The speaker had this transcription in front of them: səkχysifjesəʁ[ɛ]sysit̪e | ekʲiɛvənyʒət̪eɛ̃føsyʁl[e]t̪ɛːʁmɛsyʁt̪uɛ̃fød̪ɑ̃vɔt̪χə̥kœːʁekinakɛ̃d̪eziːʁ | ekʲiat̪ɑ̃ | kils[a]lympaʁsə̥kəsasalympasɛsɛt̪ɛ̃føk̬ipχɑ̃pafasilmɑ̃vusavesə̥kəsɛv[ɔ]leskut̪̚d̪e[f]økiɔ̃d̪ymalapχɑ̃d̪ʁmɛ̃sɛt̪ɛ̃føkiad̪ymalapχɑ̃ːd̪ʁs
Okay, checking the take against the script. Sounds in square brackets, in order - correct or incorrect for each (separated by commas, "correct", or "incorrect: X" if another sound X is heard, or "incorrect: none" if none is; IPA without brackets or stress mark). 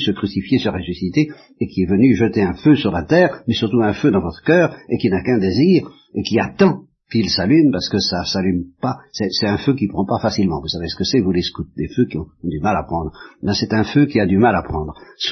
incorrect: e, incorrect: a, correct, incorrect: u, correct